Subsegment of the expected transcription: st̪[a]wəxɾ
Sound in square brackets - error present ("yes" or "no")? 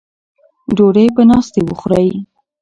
yes